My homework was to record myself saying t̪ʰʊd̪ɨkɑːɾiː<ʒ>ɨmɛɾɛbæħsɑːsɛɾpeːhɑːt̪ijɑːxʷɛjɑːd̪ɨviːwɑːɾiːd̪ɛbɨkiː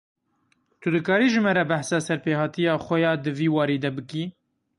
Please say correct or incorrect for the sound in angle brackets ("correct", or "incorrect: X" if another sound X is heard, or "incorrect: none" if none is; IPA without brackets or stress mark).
correct